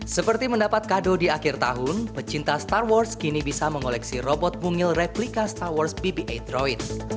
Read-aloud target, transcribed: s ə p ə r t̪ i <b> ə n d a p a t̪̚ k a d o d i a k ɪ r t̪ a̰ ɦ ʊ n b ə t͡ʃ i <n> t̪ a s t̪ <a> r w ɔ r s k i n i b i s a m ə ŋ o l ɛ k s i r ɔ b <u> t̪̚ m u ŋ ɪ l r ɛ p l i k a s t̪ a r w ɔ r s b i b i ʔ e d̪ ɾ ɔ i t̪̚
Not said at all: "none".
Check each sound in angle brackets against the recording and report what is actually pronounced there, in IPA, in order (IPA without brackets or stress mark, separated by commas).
m, n, a, ɔ